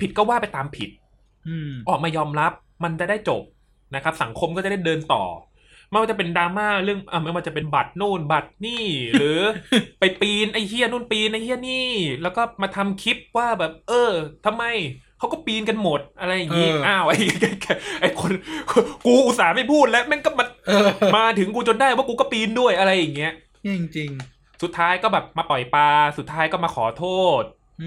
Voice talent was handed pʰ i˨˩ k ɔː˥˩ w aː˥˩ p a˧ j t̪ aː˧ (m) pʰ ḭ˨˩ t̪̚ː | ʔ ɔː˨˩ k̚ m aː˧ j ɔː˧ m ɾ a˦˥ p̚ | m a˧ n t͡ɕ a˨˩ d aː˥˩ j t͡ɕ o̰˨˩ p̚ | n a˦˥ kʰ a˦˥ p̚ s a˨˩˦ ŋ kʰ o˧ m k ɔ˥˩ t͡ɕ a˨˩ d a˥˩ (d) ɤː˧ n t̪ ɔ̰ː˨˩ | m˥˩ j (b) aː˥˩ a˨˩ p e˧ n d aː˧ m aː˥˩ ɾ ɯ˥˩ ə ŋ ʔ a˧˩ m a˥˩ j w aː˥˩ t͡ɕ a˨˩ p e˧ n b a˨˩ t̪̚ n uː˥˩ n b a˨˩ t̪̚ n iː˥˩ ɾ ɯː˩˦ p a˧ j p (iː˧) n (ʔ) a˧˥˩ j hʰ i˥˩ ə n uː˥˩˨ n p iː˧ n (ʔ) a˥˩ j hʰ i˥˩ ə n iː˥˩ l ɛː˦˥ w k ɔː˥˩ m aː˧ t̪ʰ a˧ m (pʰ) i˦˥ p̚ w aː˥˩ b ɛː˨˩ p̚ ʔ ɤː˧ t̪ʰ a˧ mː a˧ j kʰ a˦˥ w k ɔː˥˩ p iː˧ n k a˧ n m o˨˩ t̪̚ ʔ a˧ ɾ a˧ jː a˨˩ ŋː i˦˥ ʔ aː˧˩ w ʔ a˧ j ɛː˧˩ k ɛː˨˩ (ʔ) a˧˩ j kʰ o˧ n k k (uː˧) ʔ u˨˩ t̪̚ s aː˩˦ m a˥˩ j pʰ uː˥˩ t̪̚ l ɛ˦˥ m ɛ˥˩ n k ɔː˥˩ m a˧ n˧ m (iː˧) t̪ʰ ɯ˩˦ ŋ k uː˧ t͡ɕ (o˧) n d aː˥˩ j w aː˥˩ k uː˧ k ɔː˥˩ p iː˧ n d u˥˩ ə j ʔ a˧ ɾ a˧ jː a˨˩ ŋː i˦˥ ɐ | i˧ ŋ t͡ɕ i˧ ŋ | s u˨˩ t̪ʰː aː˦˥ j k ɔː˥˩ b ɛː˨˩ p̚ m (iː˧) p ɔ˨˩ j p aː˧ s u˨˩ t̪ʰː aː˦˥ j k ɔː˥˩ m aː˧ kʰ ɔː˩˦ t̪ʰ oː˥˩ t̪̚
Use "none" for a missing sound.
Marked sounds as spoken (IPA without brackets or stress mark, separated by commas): m, d, w, iː˧, ʔ, ʔ, kʰ, ʔ, uː˧, aː˧, o˧, aː˧